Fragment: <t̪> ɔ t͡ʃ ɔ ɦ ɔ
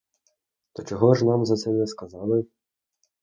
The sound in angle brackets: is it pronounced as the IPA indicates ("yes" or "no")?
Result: yes